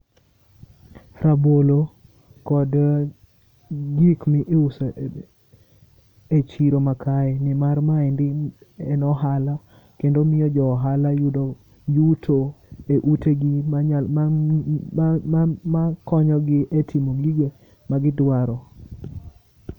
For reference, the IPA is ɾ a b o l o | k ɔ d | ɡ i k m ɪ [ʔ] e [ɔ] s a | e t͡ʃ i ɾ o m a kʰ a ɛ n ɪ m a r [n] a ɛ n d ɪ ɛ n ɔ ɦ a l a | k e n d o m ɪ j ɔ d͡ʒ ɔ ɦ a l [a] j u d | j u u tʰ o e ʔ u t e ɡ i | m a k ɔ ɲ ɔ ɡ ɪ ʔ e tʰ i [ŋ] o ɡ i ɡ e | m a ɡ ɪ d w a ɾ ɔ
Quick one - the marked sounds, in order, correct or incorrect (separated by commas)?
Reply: correct, incorrect, incorrect, correct, incorrect